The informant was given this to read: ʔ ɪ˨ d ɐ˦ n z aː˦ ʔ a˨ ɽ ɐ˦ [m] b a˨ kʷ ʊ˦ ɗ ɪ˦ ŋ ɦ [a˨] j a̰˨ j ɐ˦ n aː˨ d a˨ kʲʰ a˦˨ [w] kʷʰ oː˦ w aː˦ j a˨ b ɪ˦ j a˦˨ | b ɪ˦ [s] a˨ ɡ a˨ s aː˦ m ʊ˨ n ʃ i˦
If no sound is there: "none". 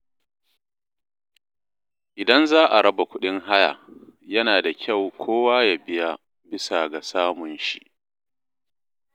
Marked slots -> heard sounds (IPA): none, a˦, w, s

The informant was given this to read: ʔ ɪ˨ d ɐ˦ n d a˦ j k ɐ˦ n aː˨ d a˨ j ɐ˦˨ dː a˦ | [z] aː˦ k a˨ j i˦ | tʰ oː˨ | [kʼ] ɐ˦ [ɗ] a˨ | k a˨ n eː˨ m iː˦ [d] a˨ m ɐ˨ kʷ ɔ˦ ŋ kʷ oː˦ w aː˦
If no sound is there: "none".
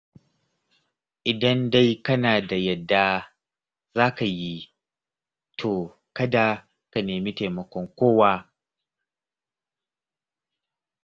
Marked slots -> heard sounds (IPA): z, k, d, t

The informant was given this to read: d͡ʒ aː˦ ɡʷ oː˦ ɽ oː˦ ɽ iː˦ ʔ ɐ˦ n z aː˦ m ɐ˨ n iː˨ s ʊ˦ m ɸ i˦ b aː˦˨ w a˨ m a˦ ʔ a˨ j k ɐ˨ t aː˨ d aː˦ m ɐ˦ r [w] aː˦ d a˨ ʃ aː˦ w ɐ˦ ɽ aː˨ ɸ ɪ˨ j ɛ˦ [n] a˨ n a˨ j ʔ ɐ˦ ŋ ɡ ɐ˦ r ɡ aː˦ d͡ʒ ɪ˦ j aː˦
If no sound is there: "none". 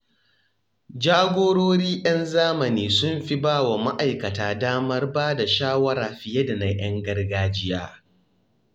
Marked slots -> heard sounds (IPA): b, d

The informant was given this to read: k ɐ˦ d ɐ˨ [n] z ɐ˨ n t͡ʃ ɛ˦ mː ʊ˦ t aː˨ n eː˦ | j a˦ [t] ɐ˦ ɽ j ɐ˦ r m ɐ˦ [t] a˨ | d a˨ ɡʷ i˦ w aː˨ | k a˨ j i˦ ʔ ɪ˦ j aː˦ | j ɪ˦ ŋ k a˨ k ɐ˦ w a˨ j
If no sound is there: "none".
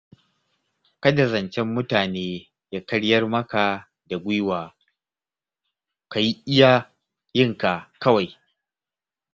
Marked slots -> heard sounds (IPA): none, k, k

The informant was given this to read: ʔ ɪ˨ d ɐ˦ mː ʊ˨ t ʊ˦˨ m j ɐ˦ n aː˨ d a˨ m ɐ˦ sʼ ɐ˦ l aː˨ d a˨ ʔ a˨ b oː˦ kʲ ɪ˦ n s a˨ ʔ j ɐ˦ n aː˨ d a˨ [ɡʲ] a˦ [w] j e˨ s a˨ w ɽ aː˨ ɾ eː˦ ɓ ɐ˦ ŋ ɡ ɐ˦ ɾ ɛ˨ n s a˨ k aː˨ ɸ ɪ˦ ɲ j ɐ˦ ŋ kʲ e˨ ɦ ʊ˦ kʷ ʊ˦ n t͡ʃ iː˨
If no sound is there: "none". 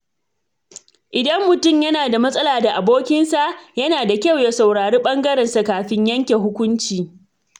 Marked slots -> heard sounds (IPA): kʲ, w

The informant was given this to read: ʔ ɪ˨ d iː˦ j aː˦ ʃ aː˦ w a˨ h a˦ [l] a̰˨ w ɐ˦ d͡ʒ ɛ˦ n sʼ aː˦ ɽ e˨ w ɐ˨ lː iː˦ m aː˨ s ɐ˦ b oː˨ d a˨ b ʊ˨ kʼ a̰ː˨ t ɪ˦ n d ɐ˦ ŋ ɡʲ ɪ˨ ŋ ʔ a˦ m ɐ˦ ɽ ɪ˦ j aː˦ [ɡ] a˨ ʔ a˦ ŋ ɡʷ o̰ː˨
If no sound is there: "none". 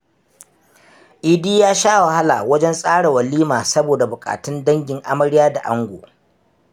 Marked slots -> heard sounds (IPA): l, d

